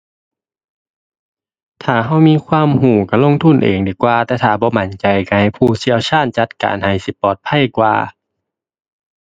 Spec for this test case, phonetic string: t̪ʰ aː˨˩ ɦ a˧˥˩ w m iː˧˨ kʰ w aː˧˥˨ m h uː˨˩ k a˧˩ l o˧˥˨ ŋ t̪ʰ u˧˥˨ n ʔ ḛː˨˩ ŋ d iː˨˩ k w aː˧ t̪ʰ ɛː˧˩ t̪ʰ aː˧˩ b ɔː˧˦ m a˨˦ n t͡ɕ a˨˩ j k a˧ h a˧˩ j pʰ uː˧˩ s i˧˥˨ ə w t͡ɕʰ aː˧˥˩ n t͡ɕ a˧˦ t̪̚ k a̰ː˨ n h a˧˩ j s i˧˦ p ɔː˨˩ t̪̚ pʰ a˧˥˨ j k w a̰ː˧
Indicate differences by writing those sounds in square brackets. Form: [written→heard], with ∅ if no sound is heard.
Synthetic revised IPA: t̪ʰ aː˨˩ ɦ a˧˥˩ w m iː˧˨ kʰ w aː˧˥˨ m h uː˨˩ k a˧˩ l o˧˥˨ ŋ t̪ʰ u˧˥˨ n ʔ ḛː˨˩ ŋ d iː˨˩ k w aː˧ [t̪ʰ→t̪] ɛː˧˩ t̪ʰ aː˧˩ b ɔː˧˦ m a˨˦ n t͡ɕ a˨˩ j k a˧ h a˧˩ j pʰ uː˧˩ s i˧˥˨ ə w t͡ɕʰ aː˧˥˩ n t͡ɕ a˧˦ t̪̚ k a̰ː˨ n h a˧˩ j s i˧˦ p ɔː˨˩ t̪̚ pʰ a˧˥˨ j k w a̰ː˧